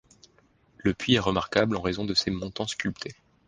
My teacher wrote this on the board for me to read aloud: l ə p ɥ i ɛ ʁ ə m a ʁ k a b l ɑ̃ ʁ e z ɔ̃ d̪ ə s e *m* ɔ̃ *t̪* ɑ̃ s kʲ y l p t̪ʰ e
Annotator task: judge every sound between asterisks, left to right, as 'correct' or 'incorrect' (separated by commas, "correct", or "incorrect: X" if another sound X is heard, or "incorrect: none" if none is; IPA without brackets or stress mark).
correct, correct